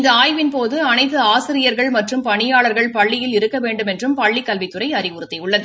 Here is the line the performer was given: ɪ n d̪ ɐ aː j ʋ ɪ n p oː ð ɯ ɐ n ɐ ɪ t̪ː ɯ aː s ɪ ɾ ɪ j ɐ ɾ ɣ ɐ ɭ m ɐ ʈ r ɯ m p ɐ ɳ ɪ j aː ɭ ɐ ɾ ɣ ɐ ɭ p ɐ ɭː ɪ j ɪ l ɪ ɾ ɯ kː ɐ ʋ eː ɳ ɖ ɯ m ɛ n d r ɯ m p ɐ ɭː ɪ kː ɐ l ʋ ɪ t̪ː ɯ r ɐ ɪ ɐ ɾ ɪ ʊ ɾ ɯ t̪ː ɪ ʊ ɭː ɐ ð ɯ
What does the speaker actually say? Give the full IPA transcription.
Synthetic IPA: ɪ n d̪ ɐ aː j ʋ ɪ n p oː ð ɯ ɐ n ɐ ɪ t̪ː ɯ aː s ɪ ɾ ɪ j ɐ ɾ ɣ ɐ ɭ m ɐ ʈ r ɯ m p ɐ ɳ ɪ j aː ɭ ɐ ɾ ɣ ɐ ɭ p ɐ ɭː ɪ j ɪ l ɪ ɾ ɯ kː ɐ ʋ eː ɳ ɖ ɯ m ɛ n d r ɯ m p ɐ ɭː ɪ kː ɐ l ʋ ɪ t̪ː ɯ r ɐ ɪ ɐ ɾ ɪ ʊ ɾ ɯ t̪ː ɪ ʊ ɭː ɐ ð ɯ